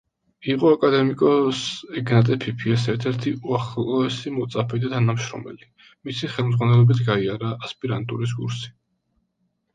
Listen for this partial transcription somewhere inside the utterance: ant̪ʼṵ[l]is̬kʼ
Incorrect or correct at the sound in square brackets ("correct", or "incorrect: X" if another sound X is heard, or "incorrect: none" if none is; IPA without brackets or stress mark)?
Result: incorrect: ɾ